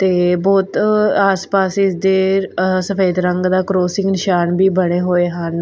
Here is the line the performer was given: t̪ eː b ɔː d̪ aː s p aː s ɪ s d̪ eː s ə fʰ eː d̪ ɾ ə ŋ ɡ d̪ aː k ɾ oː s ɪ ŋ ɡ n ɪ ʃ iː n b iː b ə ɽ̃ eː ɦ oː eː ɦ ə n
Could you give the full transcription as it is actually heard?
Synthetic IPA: t̪ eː b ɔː t̪ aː s p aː s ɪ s d̪ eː s ə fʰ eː d̪ ɾ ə ŋ ɡ d̪ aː k ɾ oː s ɪ ŋ ɡ n ɪ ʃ aː n b iː b ə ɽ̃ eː ɦ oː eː ɦ ə n

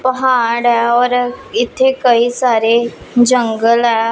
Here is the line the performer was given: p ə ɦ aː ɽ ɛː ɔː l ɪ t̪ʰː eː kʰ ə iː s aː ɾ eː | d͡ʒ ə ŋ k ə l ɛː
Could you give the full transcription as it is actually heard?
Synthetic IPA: p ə ɦ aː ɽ ɛː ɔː ɾ ɪ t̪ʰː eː k ə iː s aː ɾ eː | d͡ʒ ə ŋ ɡ ə l ɛː

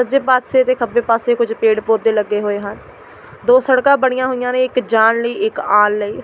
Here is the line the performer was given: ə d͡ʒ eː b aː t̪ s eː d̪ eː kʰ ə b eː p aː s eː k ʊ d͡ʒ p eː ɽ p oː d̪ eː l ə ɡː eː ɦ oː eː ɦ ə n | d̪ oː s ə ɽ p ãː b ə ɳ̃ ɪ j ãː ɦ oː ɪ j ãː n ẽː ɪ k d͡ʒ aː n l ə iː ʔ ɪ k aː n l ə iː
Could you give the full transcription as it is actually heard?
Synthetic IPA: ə d͡ʒ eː p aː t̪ s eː t̪ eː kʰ ə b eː p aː s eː k ʊ d͡ʒ p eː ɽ p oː d̪ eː l ə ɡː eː ɦ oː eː ɦ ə n | d̪ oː s ə ɽ k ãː b ə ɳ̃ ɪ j ãː ɦ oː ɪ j ãː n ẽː ɪ k d͡ʒ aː n l ə iː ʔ ɪ k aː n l ə iː

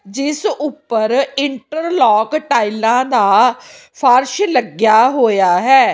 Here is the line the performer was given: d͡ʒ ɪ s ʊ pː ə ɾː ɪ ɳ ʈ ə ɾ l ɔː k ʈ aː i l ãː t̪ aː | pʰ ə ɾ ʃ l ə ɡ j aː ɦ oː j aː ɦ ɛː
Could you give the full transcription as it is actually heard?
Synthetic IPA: d͡ʒ ɪ s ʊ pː ə ɾ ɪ ɳ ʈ ə ɾ l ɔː k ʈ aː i l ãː d̪ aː | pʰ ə ɾ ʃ l ə ɡ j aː ɦ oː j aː ɦ ɛː

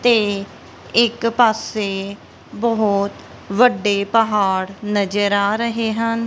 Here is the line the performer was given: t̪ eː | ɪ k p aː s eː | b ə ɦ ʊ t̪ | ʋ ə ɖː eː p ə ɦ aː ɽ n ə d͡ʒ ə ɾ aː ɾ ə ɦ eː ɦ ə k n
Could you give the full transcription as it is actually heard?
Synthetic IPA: t̪ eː | ɪ k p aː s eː | b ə ɦ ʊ t̪ | ʋ ə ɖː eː p ə ɦ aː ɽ n ə d͡ʒ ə ɾ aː ɾ ə ɦ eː ɦ ə n

